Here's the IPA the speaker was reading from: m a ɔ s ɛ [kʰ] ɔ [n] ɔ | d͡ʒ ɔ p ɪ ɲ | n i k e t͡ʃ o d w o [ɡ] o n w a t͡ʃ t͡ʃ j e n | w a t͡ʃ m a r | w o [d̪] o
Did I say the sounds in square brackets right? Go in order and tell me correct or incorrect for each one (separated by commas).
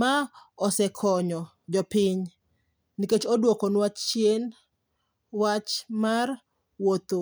correct, incorrect, incorrect, incorrect